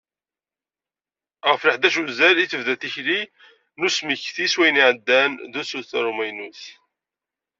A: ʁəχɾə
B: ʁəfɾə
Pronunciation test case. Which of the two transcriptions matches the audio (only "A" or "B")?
B